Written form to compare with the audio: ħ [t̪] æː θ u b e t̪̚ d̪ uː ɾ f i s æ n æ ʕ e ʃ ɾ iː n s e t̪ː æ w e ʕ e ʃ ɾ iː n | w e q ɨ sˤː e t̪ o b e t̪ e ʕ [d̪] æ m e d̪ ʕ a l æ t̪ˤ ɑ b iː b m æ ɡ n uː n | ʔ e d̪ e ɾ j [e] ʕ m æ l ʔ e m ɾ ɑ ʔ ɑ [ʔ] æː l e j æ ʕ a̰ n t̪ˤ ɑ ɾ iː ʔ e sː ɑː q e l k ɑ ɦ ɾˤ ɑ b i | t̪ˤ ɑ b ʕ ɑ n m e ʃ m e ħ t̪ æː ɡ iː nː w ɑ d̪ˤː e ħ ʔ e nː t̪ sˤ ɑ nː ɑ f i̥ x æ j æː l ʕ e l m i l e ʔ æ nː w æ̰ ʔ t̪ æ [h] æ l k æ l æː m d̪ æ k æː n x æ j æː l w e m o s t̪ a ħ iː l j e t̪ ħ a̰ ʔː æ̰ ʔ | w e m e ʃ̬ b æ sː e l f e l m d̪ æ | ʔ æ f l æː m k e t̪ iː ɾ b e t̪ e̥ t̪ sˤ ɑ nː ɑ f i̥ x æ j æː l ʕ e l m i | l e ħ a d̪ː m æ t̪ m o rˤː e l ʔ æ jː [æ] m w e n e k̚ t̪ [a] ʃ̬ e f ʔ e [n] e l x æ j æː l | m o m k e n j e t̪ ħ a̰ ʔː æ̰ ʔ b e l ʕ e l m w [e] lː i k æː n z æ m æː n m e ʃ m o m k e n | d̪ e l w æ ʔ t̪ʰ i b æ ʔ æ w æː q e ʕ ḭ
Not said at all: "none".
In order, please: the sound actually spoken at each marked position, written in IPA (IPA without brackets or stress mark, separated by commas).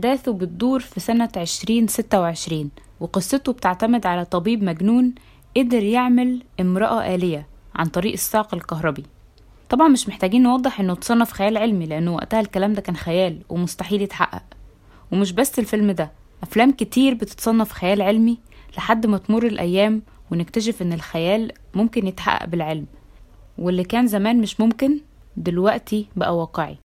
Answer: d̪, t̪, e, ʔ, h, æː, æ, nː, e